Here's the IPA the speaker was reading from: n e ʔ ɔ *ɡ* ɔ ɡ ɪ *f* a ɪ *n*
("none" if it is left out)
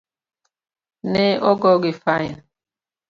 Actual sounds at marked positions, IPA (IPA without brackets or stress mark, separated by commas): ɡ, f, n